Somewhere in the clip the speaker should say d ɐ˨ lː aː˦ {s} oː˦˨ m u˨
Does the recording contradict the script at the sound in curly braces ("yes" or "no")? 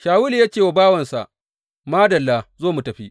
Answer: yes